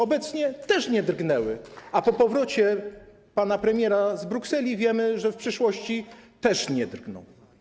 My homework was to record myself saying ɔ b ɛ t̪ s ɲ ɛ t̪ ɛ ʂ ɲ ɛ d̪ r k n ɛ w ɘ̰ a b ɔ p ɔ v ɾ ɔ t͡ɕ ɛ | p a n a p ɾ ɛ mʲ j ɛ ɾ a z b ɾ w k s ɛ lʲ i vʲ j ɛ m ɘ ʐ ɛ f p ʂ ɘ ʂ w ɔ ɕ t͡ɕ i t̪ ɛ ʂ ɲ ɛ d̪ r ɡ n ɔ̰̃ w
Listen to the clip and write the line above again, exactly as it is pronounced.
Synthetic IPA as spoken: ɔ b ɛ t̪ s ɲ ɛ t̪ ɛ ʂ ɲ ɛ d̪ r ɡ n ɛ w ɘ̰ a p ɔ p ɔ v ɾ ɔ t͡ɕ ɛ | p a n a p ɾ ɛ mʲ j ɛ ɾ a z b ɾ u k s ɛ lʲ i vʲ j ɛ m ɘ ʐ ɛ f p ʂ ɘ ʂ w ɔ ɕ t͡ɕ i t̪ ɛ ʂ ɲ ɛ d̪ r ɡ n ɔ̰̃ w

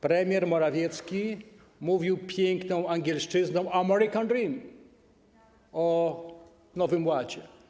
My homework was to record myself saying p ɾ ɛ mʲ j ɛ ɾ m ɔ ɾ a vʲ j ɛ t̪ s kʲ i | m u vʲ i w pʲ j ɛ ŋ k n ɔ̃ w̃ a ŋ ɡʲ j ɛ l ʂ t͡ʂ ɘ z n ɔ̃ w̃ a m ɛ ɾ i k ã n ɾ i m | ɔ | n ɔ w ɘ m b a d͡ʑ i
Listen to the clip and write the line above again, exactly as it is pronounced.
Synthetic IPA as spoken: p ɾ ɛ mʲ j ɛ ɾ m ɔ ɾ a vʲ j ɛ t̪ s kʲ i | m u vʲ i w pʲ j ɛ ŋ k n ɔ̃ w̃ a ŋ ɡʲ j ɛ l ʂ t͡ʂ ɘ z n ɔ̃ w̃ a m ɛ ɾ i k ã n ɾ i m | ɔ | n ɔ v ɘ m w a d͡ʑ ɛ

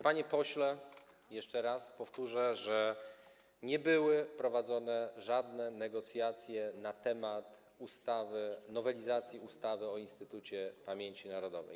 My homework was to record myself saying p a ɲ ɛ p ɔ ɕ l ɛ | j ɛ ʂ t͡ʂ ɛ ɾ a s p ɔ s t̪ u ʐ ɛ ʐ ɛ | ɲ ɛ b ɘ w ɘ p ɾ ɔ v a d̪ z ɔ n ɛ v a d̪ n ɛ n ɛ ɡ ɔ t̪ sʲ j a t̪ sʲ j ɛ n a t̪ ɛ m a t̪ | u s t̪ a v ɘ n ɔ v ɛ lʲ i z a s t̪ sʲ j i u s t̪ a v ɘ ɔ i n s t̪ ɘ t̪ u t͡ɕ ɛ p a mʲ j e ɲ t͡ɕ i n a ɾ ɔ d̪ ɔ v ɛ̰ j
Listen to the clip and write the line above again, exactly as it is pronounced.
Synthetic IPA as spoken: p a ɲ ɛ p ɔ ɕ l ɛ | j ɛ ʂ t͡ʂ ɛ ɾ a s p ɔ f t̪ u ʐ ɛ ʐ ɛ | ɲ ɛ b ɘ w ɘ p ɾ ɔ v a d̪ z ɔ n ɛ ʐ a d̪ n ɛ n ɛ ɡ ɔ t̪ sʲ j a t̪ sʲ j ɛ n a t̪ ɛ m a t̪ | u s t̪ a v ɘ n ɔ v ɛ lʲ i z a t̪ sʲ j i u s t̪ a v ɘ ɔ i n s t̪ ɘ t̪ u t͡ɕ ɛ p a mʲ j e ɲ t͡ɕ i n a ɾ ɔ d̪ ɔ v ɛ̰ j

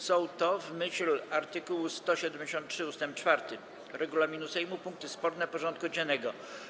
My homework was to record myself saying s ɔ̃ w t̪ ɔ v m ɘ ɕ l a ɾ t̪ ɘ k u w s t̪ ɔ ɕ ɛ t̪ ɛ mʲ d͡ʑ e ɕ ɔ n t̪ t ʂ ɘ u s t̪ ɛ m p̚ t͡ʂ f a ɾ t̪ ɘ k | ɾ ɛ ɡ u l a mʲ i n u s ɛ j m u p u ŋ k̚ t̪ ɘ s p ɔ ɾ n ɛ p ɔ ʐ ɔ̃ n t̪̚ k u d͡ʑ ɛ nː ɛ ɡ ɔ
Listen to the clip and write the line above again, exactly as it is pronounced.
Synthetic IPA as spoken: s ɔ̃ w t̪ ɔ v m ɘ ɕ l a ɾ t̪ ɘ k u w s t̪ ɔ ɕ ɛ d̪ ɛ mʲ d͡ʑ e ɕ ɔ n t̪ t ʂ ɘ u s t̪ ɛ m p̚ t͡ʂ f a ɾ t̪ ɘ | ɾ ɛ ɡ u l a mʲ i n u s ɛ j m u p u ŋ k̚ t̪ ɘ s p ɔ ɾ n ɛ p ɔ ʐ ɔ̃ n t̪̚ k u d͡ʑ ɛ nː ɛ ɡ ɔ

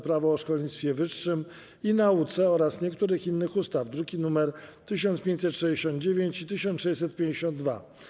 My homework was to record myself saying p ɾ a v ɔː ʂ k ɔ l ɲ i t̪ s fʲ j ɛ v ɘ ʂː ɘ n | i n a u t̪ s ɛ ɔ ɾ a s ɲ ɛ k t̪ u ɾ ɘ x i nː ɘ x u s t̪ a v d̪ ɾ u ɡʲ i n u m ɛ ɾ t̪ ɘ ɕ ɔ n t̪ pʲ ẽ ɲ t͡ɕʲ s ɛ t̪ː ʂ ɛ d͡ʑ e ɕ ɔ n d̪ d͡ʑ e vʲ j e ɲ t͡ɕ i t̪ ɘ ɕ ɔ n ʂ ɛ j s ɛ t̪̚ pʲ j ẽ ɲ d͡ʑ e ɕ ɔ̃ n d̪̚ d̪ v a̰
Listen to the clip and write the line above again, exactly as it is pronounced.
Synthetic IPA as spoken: p ɾ a v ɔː ʂ k ɔ l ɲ i t̪ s fʲ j ɛ v ɘ ʂː ɘ m | i n a u t̪ s ɛ ɔ ɾ a s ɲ ɛ k t̪ u ɾ ɘ x i nː ɘ x u s t̪ a v d̪ ɾ u ɡʲ i n u m ɛ ɾ t̪ ɘ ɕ ɔ n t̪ pʲ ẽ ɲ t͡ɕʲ s ɛ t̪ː ʂ ɛ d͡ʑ e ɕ ɔ n d̪ d͡ʑ e vʲ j e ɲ t͡ɕ i t̪ ɘ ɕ ɔ n ʂ ɛ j s ɛ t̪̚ pʲ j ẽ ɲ d͡ʑ e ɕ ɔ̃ n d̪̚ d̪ v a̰

